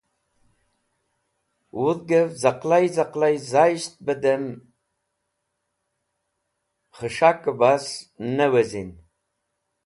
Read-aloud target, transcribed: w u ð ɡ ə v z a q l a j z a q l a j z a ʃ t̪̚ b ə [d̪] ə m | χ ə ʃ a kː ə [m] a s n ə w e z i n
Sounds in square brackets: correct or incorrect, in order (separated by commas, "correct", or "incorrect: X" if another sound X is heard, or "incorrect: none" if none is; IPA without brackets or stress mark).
correct, incorrect: b